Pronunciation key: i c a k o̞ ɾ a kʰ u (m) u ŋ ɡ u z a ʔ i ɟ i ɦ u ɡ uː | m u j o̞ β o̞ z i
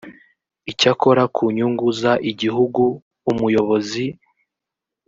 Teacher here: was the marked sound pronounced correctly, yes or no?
no